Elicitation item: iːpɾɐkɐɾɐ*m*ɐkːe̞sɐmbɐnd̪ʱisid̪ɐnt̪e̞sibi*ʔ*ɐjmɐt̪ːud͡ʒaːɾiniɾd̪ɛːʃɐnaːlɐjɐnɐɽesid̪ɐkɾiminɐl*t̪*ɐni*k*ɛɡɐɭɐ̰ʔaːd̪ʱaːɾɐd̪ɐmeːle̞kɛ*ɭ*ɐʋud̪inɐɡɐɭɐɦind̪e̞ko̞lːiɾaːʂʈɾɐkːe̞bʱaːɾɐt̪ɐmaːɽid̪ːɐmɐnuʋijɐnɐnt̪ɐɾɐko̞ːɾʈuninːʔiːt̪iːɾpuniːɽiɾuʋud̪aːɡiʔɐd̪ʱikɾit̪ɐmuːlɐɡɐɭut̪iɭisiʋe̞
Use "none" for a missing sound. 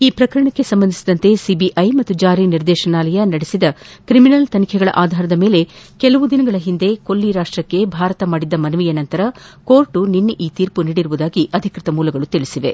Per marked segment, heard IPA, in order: ɳ, ʔ, t̪, kʰ, l

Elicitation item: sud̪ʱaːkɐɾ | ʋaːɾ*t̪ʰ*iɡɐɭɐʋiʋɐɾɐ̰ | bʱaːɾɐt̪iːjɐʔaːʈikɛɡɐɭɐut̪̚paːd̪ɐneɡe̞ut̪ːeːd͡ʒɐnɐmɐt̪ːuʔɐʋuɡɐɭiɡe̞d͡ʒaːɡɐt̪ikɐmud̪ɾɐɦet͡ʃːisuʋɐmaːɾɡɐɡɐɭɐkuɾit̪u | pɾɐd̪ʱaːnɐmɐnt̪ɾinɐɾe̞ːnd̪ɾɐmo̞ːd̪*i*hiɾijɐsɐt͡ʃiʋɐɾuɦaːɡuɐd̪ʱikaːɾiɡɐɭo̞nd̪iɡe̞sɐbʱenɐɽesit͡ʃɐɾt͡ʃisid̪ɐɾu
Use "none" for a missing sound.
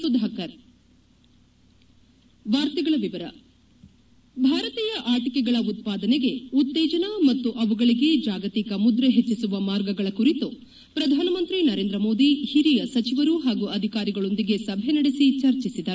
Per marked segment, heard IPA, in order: t̪, i

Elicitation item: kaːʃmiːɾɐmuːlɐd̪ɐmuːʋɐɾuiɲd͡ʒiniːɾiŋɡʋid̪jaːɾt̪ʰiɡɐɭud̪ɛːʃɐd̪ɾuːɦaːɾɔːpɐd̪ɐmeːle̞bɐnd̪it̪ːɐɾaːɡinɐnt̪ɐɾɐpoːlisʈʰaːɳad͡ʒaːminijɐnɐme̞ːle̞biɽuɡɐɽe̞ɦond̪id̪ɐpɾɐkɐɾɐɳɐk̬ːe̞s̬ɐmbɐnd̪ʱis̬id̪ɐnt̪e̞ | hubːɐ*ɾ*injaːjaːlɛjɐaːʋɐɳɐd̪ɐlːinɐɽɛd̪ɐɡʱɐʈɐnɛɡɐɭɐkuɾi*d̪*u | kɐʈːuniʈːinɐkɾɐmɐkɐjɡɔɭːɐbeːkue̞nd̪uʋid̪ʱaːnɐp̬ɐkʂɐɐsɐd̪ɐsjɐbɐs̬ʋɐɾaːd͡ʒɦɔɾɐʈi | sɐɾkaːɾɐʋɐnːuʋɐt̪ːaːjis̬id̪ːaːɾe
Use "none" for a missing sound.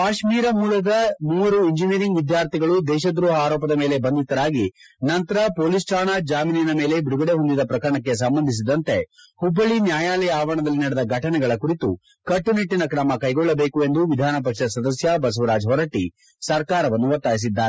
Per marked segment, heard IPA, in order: ɭ, t̪

